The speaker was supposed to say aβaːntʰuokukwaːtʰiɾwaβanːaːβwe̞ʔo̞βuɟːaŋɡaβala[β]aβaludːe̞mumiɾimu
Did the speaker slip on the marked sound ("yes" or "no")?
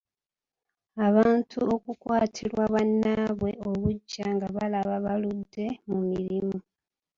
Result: no